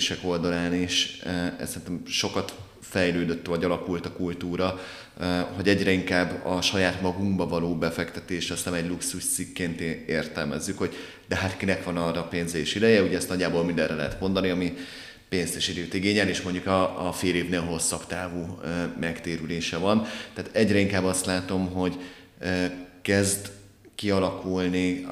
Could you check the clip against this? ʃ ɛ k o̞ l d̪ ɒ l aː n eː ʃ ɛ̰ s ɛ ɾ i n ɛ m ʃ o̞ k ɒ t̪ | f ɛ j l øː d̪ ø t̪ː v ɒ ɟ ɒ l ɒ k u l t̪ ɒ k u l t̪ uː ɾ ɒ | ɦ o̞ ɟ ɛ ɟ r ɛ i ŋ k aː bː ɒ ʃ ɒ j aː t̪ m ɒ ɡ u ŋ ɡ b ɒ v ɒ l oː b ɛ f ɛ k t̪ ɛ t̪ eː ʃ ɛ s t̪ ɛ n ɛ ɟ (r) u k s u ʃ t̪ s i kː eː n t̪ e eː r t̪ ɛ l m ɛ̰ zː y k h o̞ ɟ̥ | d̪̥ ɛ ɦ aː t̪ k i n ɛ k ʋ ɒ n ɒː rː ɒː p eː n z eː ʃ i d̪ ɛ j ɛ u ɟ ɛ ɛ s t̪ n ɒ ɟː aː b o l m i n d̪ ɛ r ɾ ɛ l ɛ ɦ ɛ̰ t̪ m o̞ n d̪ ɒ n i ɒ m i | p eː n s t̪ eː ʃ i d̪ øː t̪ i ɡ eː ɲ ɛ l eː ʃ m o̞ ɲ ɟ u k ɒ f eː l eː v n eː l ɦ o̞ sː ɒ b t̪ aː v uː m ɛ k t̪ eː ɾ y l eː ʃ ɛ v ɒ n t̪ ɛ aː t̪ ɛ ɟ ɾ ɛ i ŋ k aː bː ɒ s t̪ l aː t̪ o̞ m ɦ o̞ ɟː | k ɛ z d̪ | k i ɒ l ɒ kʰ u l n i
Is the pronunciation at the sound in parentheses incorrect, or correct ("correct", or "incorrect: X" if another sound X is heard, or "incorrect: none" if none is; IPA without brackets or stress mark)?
incorrect: l